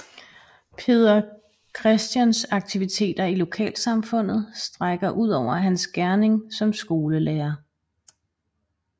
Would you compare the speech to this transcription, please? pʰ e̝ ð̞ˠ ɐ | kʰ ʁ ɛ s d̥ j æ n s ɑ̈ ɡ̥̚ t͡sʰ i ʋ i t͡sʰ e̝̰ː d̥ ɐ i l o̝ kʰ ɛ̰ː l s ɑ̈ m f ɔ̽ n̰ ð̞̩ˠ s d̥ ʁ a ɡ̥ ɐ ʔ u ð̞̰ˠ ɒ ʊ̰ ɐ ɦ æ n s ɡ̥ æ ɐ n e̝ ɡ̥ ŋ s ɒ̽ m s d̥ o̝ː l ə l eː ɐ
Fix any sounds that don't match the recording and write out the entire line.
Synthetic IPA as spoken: pʰ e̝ ð̞ˠ ɐ | kʰ ʁ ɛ s d̥ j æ n s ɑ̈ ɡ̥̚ t͡sʰ i ʋ i t͡sʰ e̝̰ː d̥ ɐ i l o̝ kʰ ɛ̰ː l s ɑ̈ m f ɔ̽ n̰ ð̞̩ˠ s d̥ ʁ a ɡ̥ ɐ ʔ u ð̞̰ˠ ɒ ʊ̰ ɐ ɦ æ n s ɡ̥ æ ɐ n e̝ ŋ s ɒ̽ m s ɡ̥ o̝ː l ə l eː ɐ

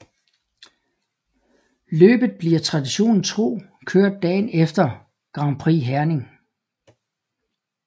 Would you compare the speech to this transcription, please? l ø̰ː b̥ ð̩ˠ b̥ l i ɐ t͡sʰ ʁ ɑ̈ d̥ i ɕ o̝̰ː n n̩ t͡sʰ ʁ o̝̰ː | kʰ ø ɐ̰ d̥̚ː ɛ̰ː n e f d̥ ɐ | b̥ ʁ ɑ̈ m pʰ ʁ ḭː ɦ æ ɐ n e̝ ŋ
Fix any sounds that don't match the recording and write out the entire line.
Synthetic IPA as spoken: l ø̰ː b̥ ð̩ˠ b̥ l i ɐ t͡sʰ ʁ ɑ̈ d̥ i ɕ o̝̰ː n n̩ t͡sʰ ʁ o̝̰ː | kʰ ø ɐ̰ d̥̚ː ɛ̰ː n e f d̥ ɐ | ɡ̥ ʁ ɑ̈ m pʰ ʁ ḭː ɦ æ ɐ n e̝ ŋ

